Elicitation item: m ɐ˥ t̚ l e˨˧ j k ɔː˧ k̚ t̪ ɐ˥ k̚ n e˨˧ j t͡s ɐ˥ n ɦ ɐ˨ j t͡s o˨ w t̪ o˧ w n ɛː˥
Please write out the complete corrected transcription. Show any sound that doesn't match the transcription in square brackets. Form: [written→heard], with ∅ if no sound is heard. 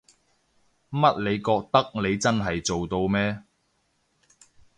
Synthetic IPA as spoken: m ɐ˥ t̚ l e˨˧ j k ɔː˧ k̚ t̪ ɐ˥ k̚ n e˨˧ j t͡s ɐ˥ n ɦ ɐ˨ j t͡s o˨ w t̪ o˧ w [n→m] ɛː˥